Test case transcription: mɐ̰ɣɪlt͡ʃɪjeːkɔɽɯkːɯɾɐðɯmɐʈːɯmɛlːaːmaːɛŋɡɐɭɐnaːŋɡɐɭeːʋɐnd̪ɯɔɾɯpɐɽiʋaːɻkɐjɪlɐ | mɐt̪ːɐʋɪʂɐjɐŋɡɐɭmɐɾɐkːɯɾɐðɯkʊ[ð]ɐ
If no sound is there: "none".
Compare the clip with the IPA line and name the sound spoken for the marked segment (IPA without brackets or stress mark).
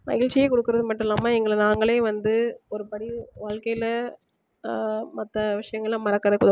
ð